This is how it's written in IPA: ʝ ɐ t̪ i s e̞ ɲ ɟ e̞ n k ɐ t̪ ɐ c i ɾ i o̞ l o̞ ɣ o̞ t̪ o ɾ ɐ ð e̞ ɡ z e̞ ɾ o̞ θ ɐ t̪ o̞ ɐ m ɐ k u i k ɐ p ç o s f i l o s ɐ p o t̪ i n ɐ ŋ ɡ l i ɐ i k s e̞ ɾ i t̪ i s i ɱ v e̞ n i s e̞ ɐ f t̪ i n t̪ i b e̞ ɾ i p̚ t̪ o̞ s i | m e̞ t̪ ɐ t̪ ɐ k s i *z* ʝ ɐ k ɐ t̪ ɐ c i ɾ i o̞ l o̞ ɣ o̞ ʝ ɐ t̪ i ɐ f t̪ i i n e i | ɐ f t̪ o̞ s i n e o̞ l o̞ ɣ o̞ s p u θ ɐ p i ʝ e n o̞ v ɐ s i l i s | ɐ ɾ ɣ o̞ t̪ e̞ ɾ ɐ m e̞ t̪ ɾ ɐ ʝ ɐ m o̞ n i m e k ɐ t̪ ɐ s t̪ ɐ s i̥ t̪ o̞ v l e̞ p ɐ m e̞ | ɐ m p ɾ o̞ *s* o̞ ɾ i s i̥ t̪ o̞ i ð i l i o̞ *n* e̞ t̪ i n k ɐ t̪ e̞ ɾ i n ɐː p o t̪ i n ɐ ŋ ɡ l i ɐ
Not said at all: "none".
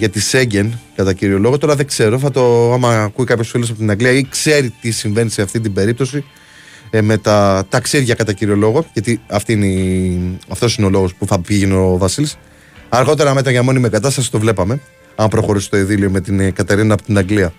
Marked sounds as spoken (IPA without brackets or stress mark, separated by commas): ð, x, m